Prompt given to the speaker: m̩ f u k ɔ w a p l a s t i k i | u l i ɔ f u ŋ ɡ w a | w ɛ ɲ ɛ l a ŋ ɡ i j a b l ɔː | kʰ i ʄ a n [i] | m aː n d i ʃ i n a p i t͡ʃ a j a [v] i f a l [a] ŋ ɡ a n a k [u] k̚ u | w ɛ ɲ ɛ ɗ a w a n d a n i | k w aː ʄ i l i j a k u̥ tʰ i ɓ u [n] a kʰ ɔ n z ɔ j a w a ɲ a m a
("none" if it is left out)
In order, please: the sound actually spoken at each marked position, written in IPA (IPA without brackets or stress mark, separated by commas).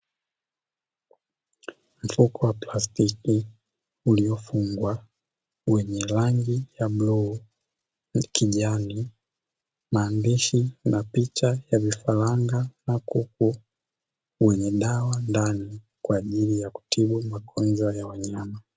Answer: i, v, a, u, m